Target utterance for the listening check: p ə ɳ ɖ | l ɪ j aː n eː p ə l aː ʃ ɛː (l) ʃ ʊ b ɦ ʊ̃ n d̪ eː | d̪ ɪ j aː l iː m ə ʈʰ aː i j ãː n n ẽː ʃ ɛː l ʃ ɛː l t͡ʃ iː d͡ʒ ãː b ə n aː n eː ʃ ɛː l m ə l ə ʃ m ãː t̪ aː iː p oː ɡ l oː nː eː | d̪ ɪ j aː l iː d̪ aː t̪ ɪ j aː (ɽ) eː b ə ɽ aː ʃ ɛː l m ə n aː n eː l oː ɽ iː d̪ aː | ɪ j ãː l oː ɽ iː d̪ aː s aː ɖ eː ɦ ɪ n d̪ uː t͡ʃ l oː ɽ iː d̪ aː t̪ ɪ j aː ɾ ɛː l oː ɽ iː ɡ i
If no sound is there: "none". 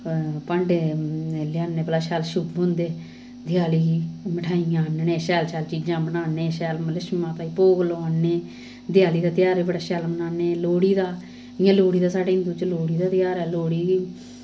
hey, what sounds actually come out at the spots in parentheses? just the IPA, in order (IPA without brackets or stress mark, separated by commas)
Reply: l, ɾ